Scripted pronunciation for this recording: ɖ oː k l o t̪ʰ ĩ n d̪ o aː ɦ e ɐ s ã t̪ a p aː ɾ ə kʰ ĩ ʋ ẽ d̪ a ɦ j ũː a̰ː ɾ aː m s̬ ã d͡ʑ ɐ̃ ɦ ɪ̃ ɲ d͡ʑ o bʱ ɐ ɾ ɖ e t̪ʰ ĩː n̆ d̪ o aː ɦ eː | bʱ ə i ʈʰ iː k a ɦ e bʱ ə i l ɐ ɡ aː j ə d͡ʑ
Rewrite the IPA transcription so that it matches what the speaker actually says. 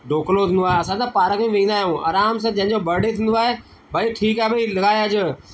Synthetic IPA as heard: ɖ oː k l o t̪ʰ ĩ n d̪ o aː ɦ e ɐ s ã t̪ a p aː ɾ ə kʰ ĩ ʋ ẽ d̪ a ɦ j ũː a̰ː ɾ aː m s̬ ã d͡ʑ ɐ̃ ɦ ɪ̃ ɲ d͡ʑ o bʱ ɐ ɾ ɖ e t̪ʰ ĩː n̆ d̪ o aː ɦ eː | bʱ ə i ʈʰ iː k a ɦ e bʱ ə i l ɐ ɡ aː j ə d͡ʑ